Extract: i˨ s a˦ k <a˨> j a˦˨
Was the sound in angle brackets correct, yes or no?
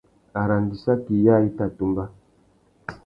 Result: no